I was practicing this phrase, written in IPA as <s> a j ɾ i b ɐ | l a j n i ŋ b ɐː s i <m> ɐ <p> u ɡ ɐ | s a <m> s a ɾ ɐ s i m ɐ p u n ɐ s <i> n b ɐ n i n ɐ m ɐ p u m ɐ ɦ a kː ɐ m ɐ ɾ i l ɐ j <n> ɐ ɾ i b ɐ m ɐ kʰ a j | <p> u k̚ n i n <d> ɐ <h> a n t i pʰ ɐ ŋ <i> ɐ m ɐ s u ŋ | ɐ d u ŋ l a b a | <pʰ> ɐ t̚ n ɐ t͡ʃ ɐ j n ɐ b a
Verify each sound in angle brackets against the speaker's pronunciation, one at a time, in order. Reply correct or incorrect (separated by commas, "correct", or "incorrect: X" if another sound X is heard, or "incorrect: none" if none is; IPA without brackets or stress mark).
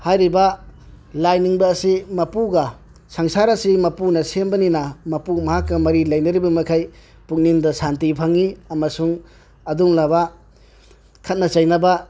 incorrect: h, correct, correct, incorrect: ŋ, incorrect: e, correct, correct, correct, incorrect: s, correct, incorrect: kʰ